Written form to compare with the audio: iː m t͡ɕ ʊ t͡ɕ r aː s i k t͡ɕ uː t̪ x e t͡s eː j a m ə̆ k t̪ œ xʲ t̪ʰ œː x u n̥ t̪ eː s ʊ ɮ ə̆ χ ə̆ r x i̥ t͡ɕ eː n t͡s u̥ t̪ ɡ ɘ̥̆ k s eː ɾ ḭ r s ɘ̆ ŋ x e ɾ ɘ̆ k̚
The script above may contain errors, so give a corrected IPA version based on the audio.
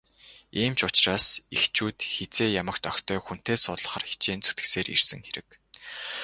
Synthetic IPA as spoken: iː m t͡ɕ ʊ t͡ɕ r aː s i x t͡ɕ uː t̪ x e t͡s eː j a m ə̆ k t̪ œ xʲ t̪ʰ œː x u n̥ t̪ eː s ʊ ɮ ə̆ χ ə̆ r x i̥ t͡ɕ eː n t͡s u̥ t̪ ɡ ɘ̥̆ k s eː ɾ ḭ r s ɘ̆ ŋ x e ɾ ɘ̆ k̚